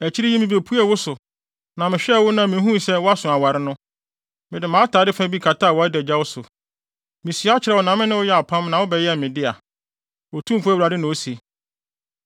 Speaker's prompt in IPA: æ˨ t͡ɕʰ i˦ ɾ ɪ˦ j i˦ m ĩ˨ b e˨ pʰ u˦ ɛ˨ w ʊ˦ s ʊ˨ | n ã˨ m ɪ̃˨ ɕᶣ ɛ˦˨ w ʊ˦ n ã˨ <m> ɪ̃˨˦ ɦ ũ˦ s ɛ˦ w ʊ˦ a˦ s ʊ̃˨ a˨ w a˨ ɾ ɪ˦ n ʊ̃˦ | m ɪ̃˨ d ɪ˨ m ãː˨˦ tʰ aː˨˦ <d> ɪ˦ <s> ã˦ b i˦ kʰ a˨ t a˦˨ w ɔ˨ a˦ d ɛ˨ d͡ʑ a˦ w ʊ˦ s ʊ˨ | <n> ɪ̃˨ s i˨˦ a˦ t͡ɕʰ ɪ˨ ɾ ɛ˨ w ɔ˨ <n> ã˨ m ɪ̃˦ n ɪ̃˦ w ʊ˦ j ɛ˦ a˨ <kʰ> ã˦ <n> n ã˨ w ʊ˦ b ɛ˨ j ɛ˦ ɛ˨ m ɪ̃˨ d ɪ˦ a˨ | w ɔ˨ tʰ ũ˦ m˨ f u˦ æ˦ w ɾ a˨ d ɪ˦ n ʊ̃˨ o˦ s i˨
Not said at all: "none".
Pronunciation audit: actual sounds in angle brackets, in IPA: m, d, f, m, n, pʰ, m

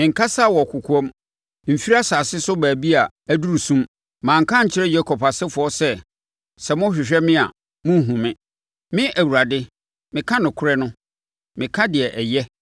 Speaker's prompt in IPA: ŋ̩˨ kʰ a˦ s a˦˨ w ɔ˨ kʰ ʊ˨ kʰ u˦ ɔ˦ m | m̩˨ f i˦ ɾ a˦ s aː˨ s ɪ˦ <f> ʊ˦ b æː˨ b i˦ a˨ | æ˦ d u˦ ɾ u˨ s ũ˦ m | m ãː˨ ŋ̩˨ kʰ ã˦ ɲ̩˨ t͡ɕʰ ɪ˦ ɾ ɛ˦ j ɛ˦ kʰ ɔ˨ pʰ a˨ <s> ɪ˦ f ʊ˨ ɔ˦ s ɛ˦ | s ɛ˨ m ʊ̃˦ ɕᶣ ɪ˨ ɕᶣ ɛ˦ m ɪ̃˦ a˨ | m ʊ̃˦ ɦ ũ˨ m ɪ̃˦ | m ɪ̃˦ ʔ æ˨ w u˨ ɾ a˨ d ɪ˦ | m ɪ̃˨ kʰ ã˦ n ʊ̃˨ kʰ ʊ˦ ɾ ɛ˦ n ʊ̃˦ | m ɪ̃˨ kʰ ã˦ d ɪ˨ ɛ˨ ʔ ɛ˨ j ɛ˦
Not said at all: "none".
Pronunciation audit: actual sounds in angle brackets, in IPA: s, s

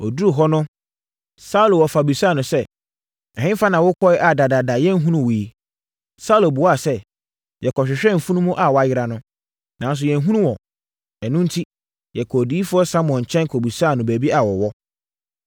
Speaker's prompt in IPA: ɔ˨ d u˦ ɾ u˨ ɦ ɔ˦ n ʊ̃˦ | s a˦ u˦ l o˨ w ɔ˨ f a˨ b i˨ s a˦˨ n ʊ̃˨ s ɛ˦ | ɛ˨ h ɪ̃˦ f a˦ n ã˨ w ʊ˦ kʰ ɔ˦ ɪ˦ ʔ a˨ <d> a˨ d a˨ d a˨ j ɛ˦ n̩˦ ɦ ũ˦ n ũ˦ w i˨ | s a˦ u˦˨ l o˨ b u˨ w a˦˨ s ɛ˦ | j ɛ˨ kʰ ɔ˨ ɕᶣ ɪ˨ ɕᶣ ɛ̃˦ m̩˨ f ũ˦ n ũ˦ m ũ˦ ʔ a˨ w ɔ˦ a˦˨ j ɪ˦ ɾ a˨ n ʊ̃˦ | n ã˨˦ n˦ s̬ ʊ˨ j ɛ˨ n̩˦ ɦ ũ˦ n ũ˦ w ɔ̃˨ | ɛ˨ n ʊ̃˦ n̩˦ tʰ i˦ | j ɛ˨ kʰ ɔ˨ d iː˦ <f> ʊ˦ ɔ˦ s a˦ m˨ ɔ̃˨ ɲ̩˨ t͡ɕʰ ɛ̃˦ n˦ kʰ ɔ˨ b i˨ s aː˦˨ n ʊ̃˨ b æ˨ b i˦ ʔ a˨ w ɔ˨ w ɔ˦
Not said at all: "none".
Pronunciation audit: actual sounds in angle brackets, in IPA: d, f

